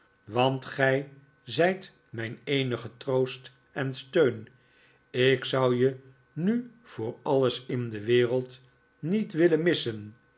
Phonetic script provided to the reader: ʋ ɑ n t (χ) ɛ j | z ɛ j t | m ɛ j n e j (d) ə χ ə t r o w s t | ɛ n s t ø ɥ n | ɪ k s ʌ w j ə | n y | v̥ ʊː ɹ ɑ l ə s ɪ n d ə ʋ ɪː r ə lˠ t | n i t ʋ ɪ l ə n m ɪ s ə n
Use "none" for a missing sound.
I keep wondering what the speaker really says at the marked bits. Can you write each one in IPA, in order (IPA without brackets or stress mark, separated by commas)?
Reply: χ, n